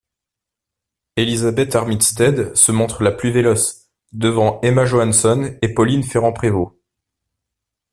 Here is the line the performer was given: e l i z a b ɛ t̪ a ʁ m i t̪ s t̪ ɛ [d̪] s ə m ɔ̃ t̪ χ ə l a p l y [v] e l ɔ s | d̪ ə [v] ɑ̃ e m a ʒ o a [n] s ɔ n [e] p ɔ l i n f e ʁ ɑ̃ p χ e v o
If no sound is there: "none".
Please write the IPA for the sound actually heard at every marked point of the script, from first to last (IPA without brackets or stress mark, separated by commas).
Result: d̪, v, v, n, e